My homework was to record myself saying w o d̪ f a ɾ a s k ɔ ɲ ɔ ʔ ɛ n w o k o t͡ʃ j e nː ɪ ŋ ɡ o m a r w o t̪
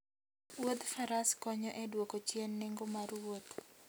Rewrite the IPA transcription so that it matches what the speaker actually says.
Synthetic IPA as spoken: w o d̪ f a ɾ a s k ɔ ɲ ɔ ʔ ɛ d w o k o t͡ʃ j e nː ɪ ŋ ɡ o m a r w o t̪